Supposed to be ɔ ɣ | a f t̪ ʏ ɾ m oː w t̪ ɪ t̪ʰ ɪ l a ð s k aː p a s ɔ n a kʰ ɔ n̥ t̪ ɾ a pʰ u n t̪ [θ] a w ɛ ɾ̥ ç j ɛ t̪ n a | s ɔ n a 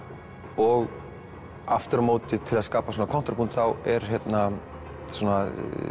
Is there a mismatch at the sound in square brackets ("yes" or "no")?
no